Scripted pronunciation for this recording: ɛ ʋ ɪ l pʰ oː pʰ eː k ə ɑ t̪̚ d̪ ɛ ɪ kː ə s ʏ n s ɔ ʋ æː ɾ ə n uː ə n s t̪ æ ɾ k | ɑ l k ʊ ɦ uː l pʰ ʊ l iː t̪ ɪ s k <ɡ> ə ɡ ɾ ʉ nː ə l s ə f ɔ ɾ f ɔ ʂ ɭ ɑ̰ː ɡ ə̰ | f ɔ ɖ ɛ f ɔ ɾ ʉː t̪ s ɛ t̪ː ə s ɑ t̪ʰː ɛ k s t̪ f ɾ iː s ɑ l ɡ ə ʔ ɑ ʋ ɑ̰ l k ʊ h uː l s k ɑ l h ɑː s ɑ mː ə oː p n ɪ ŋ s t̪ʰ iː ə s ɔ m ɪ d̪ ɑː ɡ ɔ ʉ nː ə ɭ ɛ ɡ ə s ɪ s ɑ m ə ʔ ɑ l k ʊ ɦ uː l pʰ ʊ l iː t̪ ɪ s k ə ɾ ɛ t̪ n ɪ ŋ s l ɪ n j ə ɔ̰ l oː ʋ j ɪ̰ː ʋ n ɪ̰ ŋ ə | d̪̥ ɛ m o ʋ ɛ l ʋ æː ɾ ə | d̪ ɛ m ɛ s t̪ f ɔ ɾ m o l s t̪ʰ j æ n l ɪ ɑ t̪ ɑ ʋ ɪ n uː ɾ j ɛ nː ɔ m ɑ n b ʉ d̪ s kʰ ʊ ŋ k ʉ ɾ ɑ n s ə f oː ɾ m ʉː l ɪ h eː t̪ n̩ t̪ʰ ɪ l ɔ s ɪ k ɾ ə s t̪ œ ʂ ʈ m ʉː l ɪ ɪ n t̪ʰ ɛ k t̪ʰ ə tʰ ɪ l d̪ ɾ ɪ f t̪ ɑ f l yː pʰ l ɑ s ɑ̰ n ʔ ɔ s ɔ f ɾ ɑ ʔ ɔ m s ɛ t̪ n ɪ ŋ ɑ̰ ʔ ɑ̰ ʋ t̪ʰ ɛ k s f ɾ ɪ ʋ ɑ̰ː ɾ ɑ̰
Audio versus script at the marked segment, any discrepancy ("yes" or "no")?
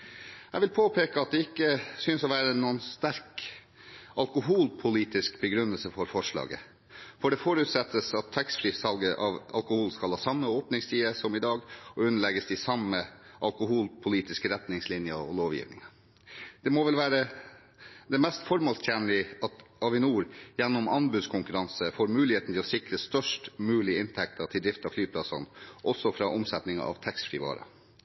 yes